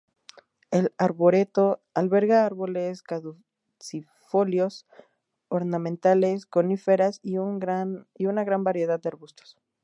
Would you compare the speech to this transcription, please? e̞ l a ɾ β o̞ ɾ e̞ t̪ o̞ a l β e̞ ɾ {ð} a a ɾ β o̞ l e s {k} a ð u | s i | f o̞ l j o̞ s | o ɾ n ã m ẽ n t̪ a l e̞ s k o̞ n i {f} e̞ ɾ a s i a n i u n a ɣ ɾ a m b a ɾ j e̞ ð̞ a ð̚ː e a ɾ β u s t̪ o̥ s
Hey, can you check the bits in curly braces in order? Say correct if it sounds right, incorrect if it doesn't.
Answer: incorrect: ɣ, correct, correct

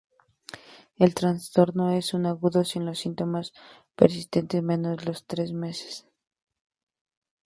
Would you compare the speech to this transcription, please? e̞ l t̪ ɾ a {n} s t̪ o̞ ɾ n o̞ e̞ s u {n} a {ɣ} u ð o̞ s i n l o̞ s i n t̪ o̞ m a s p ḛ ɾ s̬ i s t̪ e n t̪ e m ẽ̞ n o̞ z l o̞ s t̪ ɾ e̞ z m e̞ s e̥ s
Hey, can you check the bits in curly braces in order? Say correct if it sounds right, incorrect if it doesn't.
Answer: correct, correct, correct

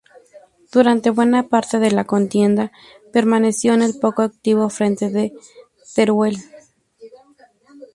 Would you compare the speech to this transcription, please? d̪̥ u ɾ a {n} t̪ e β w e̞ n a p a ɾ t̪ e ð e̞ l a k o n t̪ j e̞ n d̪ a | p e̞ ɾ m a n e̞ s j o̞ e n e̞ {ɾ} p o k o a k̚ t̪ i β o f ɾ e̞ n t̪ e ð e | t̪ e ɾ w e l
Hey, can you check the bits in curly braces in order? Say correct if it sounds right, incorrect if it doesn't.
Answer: correct, incorrect: l

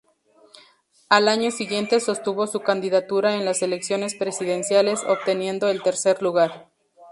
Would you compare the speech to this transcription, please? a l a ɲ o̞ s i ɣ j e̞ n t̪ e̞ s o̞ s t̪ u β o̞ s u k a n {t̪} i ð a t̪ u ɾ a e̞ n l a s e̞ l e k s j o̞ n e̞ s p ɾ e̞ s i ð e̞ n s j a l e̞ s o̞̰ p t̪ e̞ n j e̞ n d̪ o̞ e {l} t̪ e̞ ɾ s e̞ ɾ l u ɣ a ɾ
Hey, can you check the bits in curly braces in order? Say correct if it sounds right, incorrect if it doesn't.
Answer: incorrect: d̪, correct

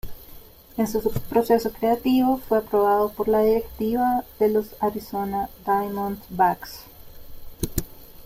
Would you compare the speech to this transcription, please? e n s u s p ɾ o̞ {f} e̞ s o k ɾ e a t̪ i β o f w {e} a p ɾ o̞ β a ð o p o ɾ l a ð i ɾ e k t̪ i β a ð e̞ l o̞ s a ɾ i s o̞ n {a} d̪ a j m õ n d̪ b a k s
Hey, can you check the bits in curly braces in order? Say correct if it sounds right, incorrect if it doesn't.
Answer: incorrect: s, correct, correct

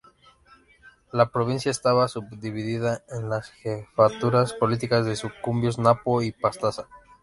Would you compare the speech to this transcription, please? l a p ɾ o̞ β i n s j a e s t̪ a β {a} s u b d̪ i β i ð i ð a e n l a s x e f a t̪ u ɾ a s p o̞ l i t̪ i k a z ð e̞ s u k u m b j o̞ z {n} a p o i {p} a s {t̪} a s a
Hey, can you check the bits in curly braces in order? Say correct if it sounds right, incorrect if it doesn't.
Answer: correct, correct, correct, correct

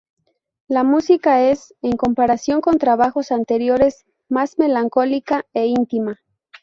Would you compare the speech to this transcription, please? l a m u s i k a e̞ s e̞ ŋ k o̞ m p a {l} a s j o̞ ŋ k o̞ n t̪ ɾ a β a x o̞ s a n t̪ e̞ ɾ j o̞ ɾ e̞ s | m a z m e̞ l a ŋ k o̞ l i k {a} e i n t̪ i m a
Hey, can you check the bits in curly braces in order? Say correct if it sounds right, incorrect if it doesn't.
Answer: incorrect: ɾ, correct

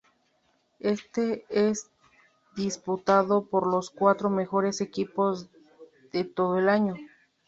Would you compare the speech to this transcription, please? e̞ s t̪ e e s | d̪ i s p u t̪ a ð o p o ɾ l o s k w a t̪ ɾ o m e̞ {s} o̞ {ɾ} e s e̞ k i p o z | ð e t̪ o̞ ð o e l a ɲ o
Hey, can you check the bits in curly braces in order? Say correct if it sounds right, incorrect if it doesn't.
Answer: incorrect: x, correct

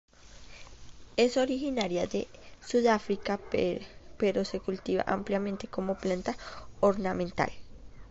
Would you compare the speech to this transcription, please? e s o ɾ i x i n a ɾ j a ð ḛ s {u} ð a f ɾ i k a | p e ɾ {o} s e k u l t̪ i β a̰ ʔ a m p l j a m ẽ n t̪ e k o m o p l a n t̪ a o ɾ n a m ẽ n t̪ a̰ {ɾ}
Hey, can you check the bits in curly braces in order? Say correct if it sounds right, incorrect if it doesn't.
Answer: correct, correct, incorrect: l

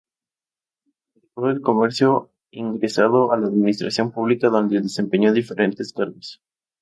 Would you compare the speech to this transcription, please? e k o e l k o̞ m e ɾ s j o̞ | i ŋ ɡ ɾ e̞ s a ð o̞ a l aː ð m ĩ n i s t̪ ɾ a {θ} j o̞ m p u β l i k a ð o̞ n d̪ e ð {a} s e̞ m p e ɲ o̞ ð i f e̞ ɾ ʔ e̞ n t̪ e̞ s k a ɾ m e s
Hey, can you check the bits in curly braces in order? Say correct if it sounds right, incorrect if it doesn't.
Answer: incorrect: s, incorrect: e

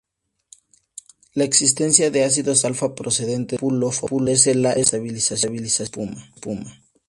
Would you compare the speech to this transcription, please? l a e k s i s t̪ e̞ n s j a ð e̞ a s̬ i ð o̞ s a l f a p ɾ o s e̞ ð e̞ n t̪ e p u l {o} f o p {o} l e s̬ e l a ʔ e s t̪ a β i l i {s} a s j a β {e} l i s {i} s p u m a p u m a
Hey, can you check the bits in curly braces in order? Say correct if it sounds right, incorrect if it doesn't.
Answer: correct, incorrect: u, correct, incorrect: i, incorrect: a

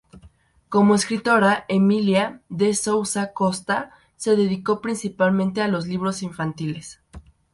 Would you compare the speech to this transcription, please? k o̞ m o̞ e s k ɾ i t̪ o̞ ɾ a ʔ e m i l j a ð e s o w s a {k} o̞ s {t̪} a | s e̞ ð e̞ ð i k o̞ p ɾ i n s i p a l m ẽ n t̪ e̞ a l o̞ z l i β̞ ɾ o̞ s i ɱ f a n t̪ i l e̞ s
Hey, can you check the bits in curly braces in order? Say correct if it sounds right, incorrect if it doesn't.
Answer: correct, correct

